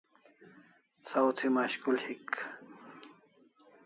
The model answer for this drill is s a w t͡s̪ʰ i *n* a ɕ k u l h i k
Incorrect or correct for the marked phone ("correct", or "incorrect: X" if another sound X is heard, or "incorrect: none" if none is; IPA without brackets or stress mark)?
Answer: incorrect: m